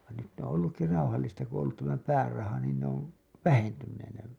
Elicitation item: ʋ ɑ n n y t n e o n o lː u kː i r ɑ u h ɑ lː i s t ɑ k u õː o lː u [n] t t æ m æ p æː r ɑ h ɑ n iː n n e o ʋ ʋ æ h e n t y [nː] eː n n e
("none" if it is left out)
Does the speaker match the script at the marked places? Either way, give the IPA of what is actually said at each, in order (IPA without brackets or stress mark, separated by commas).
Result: none, nː